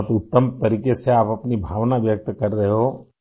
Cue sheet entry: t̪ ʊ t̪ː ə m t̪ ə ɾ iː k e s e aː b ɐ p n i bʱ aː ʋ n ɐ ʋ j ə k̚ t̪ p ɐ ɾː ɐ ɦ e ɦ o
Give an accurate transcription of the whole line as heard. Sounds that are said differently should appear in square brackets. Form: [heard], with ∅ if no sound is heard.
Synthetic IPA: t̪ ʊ t̪ː ə m t̪ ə ɾ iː k e s e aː [p] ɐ p n i bʱ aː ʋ n [a] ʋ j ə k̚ t̪ [k] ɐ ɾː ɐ ɦ e ɦ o